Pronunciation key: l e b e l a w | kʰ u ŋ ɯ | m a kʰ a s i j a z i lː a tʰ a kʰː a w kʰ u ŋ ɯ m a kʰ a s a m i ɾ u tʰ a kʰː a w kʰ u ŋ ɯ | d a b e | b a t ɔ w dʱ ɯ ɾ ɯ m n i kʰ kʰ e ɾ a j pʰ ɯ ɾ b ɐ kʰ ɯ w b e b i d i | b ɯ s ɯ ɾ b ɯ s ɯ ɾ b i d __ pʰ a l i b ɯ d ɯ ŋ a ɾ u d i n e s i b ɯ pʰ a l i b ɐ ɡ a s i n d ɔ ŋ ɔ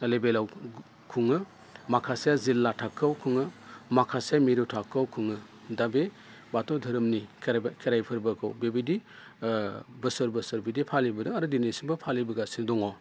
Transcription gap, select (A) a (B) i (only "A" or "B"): B